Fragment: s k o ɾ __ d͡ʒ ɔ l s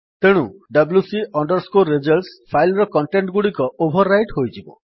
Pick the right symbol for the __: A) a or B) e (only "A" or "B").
B